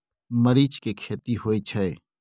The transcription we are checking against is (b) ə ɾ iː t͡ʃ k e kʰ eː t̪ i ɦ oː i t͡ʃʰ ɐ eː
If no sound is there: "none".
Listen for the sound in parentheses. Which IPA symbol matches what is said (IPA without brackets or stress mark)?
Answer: m